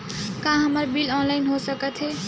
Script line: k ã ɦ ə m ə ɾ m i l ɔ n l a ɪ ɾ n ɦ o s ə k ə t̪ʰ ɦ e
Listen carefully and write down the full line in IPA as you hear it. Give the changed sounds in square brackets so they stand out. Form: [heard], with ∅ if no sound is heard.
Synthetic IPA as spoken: k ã ɦ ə m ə ɾ [b] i l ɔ n l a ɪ [∅] n ɦ o s ə k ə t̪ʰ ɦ e